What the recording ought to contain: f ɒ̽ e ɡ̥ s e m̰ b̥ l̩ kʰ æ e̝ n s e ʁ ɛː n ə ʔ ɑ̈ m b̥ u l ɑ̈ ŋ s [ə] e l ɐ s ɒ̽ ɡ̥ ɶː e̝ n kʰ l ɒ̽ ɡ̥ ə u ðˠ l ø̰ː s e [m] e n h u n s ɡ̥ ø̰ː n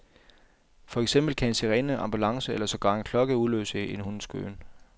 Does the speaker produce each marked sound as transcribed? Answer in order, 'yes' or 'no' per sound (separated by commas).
yes, no